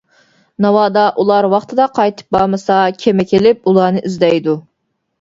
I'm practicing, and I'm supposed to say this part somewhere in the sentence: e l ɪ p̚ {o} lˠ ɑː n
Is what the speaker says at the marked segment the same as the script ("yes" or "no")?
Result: no